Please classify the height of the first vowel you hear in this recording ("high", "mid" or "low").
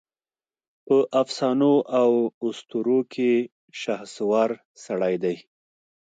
mid